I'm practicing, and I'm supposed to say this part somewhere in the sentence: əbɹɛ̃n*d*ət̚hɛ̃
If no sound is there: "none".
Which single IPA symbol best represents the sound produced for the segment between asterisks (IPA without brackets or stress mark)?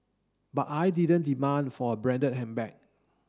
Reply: d